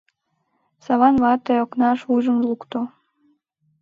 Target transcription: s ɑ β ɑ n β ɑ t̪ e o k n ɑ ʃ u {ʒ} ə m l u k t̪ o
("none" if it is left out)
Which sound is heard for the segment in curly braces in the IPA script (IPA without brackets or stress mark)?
ʒ